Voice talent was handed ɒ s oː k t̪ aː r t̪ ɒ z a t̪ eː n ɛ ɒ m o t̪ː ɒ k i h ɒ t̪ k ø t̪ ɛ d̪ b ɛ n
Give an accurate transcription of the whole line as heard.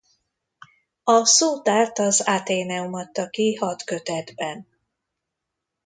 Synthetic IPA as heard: ɒ s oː t̪ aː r t̪ ɒ z a t̪ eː n ɛ u m ɒ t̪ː ɒ k i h ɒ t̪ k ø t̪ ɛ d̪ b ɛ n